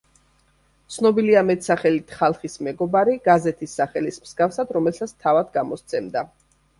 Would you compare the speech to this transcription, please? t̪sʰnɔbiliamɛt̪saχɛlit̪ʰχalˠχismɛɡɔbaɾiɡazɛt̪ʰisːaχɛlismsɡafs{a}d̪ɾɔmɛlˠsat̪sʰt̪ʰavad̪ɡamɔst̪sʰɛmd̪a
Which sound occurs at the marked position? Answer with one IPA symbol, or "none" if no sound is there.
a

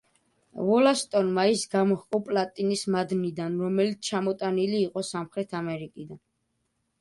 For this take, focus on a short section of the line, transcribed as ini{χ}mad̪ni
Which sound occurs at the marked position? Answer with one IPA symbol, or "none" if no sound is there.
s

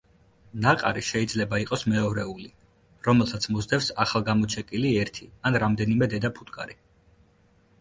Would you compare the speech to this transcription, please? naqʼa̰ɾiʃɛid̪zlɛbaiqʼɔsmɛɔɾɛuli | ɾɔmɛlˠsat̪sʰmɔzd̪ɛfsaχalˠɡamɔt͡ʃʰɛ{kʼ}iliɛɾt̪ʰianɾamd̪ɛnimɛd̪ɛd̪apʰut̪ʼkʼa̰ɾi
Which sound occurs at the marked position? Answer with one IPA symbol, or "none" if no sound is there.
kʼ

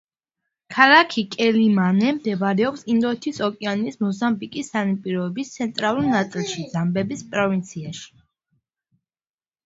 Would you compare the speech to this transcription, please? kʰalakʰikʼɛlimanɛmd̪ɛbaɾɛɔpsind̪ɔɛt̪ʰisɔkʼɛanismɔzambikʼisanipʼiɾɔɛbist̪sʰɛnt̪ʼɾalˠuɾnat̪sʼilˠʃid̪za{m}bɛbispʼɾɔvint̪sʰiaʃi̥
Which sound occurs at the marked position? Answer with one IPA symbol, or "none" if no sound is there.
m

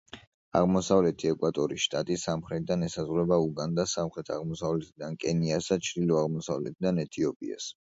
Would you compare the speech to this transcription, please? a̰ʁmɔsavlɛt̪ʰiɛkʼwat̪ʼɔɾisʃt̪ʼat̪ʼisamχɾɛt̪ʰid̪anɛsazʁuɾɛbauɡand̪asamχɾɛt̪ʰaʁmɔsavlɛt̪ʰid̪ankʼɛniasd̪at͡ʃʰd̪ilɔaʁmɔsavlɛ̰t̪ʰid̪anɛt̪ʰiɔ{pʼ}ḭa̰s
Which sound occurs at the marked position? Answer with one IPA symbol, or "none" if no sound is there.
pʼ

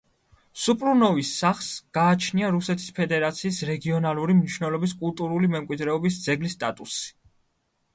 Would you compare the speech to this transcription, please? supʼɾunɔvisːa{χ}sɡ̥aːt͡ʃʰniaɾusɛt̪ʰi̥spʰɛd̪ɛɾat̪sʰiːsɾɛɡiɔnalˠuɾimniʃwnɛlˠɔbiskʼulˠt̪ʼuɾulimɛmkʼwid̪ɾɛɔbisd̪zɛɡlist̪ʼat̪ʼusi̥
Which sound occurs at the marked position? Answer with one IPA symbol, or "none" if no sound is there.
χ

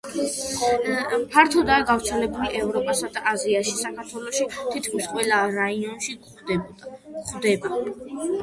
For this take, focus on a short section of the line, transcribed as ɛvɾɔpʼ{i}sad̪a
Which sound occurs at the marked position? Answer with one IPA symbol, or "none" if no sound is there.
a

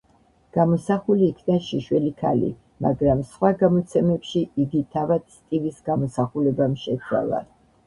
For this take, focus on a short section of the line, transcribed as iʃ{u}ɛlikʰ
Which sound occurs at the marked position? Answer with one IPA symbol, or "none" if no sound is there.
w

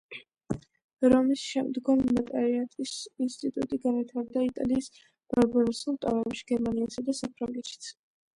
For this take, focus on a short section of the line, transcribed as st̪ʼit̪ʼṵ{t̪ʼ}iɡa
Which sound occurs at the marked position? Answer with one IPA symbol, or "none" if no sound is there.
t̪ʼ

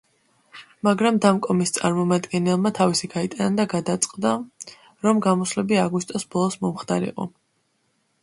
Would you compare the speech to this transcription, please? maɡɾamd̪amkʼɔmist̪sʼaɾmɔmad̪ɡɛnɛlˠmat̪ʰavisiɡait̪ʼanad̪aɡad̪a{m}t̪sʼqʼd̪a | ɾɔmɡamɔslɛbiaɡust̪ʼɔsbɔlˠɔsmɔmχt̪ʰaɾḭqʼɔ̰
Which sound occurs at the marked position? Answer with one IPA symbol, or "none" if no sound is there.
none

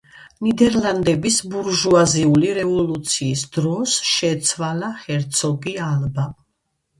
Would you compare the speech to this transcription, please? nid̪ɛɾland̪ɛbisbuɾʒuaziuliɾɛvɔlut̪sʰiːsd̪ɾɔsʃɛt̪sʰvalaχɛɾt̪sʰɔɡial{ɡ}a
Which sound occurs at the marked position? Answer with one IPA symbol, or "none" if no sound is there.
b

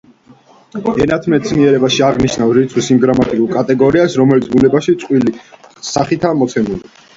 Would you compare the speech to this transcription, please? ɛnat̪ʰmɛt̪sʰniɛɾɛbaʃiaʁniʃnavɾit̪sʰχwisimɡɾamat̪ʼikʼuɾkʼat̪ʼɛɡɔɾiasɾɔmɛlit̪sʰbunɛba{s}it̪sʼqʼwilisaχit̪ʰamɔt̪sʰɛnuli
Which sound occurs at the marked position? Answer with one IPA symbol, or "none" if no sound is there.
ʃ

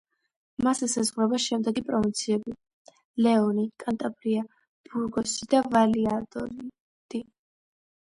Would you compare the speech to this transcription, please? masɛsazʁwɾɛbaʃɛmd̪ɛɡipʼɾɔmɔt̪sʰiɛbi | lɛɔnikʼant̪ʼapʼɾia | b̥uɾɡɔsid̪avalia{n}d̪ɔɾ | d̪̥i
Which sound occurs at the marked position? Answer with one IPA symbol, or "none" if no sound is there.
none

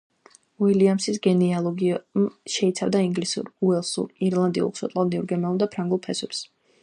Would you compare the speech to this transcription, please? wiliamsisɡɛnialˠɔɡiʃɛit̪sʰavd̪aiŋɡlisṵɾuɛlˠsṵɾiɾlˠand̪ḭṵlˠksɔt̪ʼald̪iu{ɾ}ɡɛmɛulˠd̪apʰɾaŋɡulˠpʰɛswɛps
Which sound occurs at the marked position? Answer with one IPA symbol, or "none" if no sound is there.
ɾ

